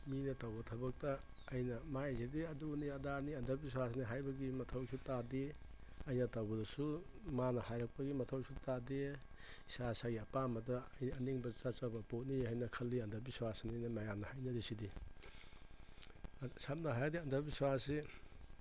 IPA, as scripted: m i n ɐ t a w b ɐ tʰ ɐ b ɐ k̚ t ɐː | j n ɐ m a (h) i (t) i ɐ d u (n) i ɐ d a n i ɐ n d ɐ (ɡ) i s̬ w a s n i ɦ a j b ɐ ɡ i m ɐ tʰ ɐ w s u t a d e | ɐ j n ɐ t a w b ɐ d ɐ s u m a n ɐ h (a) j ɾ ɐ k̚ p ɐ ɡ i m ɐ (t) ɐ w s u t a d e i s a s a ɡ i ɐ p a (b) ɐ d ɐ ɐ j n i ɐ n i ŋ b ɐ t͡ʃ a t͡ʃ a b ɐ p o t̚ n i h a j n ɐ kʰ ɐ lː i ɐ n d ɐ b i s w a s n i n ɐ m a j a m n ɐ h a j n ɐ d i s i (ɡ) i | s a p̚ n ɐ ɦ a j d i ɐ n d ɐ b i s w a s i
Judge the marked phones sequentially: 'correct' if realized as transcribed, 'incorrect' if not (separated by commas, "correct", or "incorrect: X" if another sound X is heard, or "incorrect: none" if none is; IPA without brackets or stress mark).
incorrect: s, incorrect: d, correct, incorrect: b, correct, incorrect: tʰ, incorrect: m, incorrect: d